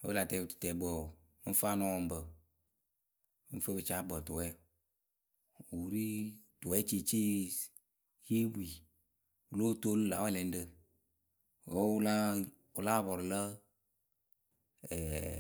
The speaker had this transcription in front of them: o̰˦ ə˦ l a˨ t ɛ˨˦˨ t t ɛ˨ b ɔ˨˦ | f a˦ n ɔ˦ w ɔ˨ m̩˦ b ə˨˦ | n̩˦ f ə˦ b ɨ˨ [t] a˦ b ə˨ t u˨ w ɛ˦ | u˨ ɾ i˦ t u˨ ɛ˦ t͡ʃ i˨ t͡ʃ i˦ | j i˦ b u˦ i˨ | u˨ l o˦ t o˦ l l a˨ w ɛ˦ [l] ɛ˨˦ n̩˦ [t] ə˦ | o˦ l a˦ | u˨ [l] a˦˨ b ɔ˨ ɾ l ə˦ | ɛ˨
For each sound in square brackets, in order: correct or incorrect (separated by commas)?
incorrect, correct, incorrect, correct